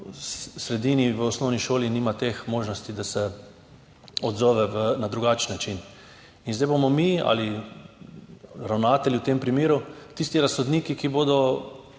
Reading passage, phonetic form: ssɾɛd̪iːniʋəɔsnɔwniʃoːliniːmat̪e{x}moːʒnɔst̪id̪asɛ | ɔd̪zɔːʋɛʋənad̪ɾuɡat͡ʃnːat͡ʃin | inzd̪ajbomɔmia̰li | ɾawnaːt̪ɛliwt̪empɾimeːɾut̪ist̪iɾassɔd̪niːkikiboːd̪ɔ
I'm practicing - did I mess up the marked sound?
no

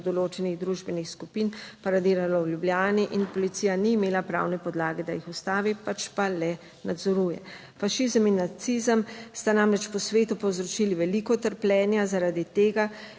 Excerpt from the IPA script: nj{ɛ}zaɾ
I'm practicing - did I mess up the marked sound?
yes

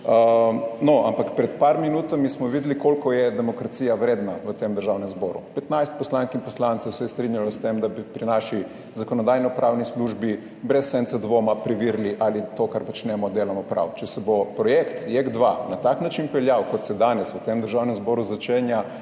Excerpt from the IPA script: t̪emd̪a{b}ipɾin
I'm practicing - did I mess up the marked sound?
no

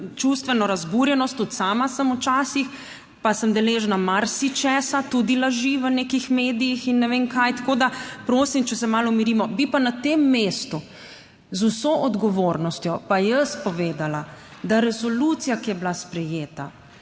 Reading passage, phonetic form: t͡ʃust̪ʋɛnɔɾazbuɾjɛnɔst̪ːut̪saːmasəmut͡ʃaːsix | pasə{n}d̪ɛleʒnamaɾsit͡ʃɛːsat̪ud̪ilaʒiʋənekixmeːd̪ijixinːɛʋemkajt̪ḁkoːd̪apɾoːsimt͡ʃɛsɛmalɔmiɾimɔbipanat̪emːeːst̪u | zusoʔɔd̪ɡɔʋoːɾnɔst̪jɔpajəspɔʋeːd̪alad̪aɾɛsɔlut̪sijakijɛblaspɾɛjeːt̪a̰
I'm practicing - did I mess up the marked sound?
yes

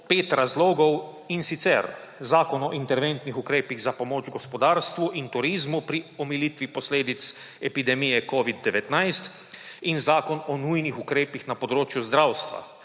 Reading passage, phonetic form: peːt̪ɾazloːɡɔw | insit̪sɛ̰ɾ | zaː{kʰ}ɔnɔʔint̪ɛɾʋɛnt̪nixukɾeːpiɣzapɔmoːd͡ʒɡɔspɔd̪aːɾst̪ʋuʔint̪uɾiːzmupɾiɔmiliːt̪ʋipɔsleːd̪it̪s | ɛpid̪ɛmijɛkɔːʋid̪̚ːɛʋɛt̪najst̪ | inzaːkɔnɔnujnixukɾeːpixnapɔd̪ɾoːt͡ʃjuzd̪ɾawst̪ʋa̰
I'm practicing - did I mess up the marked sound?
yes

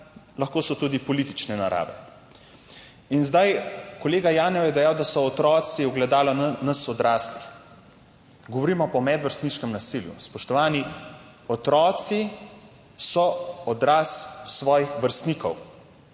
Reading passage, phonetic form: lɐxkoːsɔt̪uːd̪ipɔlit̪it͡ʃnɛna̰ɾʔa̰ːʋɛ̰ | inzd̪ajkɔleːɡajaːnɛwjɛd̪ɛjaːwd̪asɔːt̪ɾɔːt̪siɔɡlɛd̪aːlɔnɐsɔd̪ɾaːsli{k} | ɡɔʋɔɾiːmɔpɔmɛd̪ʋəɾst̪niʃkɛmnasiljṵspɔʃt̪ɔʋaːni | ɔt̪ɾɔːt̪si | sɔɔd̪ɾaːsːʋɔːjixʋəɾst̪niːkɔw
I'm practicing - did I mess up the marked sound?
yes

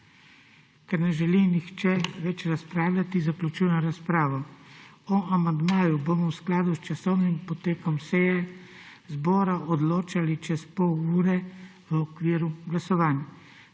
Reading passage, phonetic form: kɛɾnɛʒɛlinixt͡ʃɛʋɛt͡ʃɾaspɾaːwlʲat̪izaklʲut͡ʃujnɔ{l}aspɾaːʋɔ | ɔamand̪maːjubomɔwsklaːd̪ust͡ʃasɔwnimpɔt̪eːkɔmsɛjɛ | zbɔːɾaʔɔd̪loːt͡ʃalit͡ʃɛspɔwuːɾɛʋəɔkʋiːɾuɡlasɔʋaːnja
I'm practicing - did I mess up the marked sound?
yes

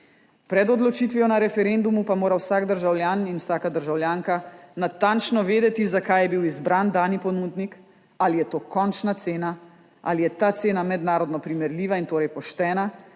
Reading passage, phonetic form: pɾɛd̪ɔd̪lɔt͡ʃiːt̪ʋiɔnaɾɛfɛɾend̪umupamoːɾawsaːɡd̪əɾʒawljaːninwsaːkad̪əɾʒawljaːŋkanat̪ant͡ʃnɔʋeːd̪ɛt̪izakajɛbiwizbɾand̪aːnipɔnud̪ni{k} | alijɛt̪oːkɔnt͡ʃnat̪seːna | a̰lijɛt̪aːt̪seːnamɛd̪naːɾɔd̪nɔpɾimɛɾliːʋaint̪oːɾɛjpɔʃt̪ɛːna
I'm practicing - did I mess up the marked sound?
no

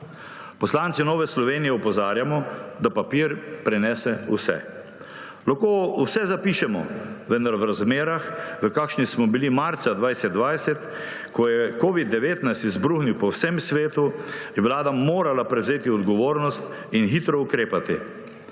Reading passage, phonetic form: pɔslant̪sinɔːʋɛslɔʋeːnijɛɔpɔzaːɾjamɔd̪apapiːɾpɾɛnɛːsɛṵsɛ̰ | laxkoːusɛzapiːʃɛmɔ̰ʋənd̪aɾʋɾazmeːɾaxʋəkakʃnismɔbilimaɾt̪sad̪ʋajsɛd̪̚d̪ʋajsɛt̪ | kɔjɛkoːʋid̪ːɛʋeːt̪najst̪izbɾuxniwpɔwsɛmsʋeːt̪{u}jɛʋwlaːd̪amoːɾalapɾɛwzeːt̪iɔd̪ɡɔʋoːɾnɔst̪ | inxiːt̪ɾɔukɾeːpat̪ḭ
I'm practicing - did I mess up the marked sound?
no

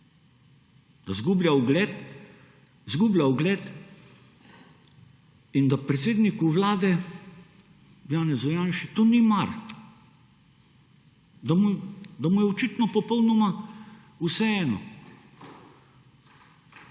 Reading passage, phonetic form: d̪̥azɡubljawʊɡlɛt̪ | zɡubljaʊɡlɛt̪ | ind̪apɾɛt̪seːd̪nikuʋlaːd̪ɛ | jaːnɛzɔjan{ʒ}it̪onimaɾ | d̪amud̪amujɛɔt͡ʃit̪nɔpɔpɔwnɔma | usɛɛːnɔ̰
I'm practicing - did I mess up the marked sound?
yes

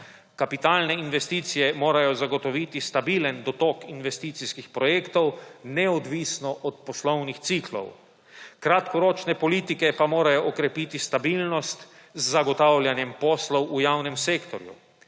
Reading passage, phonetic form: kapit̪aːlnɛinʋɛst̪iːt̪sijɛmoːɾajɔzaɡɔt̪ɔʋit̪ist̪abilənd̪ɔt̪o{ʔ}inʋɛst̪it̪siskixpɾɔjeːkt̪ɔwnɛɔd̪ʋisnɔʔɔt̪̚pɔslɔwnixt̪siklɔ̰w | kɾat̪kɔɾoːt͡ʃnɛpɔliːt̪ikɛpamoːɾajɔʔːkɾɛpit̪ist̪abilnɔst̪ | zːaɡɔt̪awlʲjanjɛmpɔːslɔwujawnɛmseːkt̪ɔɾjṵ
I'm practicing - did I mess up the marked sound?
yes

